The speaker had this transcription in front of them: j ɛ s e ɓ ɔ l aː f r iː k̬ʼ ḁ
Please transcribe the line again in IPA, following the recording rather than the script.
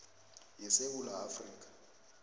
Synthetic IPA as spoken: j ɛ s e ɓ u l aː f r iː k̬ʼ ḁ

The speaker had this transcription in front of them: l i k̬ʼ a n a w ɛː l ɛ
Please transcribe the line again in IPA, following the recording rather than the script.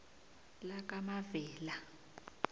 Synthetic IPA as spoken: l a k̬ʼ a m a v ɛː l a

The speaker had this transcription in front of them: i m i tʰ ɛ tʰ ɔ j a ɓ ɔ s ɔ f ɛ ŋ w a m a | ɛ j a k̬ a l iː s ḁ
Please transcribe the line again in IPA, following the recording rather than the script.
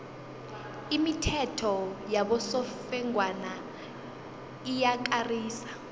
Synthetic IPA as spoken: i m i tʰ ɛ tʰ ɔ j a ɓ ɔ s ɔ f ɛ ŋ w a n a | i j a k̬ a r iː s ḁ

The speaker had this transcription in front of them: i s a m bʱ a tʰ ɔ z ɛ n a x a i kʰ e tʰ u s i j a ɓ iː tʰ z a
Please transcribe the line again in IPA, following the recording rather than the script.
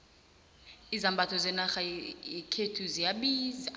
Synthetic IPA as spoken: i z a m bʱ a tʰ ɔ z ɛ n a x a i kʰ e tʰ u z i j a ɓ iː z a

